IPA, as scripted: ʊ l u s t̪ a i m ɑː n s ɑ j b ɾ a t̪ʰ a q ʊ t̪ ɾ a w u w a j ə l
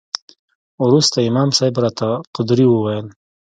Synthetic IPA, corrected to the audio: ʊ ɾ u s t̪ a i m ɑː m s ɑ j b ɾ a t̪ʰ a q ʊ d̪ ɾ i w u w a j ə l